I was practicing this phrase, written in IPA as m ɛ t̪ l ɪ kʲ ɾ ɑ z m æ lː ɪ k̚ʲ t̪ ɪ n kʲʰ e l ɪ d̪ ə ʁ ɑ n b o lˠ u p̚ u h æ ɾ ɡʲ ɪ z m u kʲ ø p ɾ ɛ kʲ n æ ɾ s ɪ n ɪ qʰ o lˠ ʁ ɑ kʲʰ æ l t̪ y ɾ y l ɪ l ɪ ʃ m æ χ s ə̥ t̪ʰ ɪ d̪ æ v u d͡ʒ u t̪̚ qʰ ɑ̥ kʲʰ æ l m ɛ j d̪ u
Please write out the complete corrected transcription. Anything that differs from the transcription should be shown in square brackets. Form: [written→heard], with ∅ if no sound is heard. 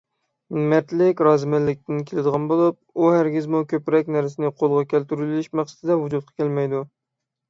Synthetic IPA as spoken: m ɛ t̪ l ɪ kʲ ɾ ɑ z m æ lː ɪ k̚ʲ t̪ ɪ n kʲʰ e l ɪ d̪ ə ʁ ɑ n b o lˠ u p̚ u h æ ɾ ɡʲ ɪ z m u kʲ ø p ɾ ɛ kʲ n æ ɾ s ɪ n ɪ qʰ o lˠ ʁ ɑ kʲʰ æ l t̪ y ɾ y l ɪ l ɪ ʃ m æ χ s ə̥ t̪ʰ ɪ d̪ [æ→ɛ] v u d͡ʒ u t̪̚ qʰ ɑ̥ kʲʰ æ l m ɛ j d̪ u